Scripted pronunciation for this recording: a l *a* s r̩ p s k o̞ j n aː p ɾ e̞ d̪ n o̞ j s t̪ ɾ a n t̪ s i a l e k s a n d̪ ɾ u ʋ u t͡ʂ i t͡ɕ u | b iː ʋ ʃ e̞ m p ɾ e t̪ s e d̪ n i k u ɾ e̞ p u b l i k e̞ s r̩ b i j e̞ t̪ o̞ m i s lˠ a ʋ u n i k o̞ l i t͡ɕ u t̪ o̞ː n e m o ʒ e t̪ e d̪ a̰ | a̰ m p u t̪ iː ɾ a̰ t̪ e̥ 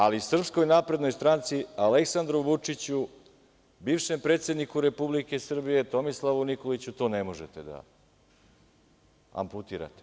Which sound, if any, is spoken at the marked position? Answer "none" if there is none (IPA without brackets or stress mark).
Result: i